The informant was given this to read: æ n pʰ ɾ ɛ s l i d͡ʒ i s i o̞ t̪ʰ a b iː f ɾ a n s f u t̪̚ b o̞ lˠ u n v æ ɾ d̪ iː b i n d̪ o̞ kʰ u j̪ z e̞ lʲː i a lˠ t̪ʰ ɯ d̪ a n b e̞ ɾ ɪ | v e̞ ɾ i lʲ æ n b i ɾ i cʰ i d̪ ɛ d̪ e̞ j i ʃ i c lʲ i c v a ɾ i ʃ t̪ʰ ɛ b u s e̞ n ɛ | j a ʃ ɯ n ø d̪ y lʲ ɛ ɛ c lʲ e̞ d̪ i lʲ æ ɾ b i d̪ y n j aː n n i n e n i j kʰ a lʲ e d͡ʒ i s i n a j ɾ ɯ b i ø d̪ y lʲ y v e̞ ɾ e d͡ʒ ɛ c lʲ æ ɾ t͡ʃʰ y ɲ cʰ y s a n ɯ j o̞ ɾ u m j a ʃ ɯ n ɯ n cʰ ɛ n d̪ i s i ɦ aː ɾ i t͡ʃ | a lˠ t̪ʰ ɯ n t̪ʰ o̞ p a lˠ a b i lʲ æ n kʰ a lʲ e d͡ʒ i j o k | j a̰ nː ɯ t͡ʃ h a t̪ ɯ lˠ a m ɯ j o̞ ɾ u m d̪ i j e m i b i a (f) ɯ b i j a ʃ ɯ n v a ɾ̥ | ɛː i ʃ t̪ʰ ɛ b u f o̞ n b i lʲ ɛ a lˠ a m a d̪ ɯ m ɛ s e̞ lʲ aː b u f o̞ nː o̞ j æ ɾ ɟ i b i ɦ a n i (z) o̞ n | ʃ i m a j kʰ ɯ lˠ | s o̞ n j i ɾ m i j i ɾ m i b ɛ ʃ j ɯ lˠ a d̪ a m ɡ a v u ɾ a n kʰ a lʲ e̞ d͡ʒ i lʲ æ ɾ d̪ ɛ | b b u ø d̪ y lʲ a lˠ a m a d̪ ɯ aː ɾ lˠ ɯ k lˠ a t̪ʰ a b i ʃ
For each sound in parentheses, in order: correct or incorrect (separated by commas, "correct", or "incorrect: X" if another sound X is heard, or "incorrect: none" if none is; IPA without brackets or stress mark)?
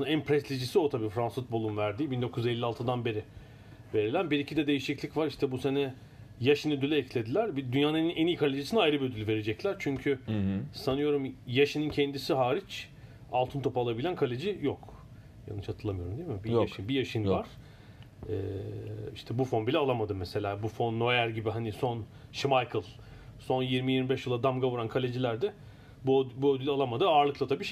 incorrect: ʃ, incorrect: s